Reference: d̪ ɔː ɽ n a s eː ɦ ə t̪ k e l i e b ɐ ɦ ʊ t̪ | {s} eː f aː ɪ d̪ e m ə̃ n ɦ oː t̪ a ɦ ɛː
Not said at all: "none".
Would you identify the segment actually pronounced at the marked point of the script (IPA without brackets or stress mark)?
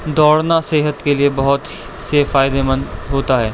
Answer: s